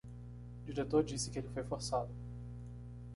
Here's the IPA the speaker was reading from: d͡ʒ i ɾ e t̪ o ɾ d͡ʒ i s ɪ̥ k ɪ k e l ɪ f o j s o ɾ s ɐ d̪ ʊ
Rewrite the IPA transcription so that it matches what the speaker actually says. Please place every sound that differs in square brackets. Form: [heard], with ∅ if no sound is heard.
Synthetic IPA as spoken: d͡ʒ i ɾ e t̪ o ɾ d͡ʒ i s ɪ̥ k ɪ [∅] e l ɪ f o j [f] o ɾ s [a] d̪ ʊ